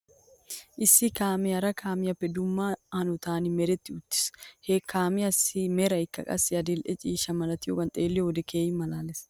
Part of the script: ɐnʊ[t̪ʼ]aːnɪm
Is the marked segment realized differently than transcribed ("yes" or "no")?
yes